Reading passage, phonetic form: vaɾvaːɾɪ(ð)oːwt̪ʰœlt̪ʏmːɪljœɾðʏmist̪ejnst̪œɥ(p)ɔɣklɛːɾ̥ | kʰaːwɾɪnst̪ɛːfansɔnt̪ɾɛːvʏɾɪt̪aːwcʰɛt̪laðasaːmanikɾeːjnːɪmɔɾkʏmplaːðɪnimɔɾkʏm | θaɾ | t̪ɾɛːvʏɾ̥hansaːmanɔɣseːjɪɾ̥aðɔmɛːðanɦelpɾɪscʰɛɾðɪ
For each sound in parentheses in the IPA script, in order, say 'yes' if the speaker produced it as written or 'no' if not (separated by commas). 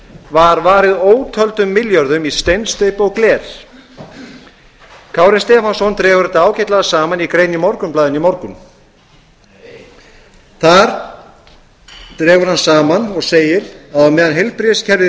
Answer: yes, yes